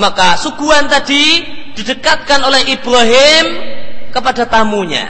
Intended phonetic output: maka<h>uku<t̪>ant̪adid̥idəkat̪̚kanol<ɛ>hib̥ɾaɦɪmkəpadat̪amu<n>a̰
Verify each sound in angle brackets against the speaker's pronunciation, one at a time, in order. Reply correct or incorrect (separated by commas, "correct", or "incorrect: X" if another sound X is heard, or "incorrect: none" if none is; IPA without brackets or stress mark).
incorrect: s, incorrect: none, correct, incorrect: ɲ